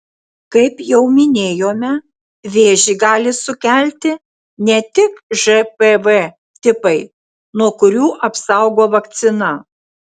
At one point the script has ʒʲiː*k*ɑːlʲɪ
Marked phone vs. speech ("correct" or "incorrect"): incorrect